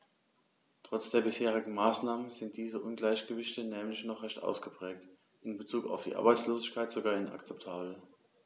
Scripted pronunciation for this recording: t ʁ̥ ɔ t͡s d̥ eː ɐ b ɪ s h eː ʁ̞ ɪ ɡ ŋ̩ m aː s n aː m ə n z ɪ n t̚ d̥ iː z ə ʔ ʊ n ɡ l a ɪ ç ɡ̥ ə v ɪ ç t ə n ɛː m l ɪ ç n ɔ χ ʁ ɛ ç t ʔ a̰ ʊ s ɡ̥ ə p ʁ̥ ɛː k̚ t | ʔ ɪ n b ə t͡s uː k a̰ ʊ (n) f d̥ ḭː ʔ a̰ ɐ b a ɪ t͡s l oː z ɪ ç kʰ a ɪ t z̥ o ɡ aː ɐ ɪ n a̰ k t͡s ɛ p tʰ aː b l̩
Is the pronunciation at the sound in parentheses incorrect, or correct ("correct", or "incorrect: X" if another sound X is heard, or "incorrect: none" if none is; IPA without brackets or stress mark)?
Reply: incorrect: none